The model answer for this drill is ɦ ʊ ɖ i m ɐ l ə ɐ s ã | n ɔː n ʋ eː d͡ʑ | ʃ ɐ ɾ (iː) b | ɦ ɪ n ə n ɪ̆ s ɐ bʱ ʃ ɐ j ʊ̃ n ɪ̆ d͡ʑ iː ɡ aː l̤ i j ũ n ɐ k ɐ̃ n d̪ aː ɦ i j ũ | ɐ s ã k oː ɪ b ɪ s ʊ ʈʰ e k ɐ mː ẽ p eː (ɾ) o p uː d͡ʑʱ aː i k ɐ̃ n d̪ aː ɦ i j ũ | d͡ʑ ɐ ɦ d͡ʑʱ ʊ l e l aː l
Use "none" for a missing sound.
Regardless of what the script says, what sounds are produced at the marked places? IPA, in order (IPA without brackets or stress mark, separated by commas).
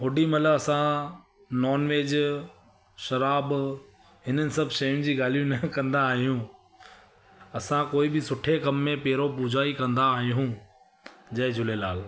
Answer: aː, ɾ